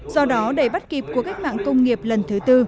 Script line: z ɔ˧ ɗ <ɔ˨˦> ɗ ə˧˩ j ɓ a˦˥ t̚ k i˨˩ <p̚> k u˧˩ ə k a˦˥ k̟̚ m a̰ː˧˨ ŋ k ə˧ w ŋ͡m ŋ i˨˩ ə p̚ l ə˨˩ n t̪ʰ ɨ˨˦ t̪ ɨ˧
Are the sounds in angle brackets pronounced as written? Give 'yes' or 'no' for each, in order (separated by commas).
yes, yes